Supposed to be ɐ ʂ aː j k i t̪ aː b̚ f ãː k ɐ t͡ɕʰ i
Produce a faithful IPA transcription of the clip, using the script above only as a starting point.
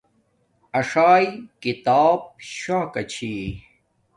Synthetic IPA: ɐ ʂ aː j k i t̪ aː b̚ ɕ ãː k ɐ t͡ɕʰ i